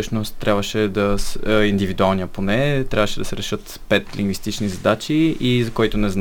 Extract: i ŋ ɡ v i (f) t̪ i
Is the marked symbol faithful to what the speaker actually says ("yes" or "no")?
no